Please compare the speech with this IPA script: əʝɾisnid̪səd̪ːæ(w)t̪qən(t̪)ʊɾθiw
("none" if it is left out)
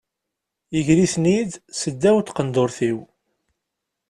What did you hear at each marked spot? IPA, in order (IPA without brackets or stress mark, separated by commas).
w, d̪